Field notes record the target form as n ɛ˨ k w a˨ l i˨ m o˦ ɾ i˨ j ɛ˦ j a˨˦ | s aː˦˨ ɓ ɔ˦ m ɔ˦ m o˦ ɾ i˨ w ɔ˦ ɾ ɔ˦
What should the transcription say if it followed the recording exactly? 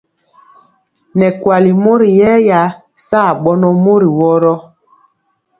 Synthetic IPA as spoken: n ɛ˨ k w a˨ l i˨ m o˦ ɾ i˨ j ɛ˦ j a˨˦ | s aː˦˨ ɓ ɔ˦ n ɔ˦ m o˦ ɾ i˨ w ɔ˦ ɾ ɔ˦